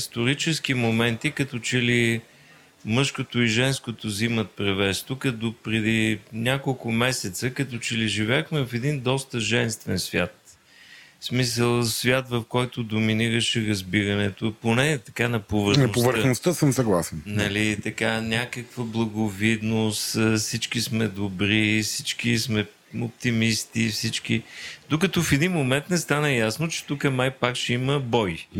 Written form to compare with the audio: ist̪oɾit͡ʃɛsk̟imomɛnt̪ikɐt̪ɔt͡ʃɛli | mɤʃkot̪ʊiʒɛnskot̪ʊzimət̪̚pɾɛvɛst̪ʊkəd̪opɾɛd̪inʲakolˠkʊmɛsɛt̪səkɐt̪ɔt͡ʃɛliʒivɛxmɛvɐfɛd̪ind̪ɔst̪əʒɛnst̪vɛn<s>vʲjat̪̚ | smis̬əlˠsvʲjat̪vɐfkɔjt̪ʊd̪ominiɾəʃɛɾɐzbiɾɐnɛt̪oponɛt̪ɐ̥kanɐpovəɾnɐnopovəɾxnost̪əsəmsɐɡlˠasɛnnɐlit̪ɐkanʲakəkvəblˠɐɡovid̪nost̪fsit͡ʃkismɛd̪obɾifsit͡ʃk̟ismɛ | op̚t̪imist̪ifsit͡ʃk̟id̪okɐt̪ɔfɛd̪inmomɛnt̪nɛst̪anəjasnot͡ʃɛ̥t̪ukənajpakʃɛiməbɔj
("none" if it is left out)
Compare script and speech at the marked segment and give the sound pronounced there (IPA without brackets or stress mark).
s